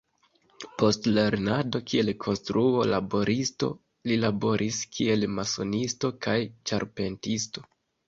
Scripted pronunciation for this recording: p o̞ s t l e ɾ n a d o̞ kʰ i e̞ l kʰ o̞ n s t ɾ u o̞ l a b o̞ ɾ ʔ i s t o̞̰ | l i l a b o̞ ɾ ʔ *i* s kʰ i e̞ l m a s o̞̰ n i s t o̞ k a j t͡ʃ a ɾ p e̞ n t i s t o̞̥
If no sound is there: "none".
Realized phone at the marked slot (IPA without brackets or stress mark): i